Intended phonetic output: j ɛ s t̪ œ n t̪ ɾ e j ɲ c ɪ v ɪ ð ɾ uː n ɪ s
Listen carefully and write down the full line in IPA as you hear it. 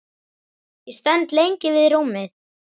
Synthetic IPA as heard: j ɛ s t̪ ɛ n t̪ l e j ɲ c ɪ v ɪ ð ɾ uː m ɪ θ